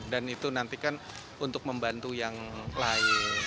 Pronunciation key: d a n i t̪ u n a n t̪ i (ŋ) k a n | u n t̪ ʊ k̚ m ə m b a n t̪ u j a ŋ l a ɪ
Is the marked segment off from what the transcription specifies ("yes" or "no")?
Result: yes